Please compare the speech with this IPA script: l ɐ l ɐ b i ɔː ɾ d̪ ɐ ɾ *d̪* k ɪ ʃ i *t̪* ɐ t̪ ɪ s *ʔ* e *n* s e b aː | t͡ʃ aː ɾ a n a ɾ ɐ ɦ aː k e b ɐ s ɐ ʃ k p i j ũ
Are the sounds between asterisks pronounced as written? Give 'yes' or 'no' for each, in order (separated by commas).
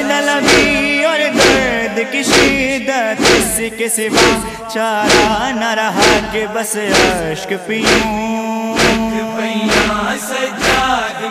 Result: yes, no, no, no